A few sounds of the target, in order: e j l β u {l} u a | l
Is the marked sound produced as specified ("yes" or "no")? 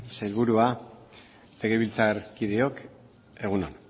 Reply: no